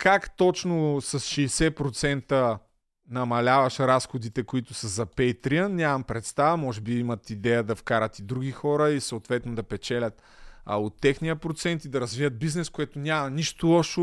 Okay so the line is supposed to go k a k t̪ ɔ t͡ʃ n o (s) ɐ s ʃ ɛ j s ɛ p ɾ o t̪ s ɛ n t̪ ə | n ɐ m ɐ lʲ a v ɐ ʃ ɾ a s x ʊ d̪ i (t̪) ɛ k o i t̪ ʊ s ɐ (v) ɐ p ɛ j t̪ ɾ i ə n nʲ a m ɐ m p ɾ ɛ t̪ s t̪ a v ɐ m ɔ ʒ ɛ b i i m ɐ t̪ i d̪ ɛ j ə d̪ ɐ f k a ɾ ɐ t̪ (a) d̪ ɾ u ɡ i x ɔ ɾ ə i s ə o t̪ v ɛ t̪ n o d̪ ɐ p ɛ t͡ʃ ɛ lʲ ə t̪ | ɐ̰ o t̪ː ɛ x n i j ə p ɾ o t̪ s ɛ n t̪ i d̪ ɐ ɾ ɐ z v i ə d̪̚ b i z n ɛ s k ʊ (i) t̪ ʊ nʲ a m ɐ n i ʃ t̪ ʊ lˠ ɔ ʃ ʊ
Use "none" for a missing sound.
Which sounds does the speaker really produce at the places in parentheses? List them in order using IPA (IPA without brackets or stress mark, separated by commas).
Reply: s, t̪, z, i, ɛ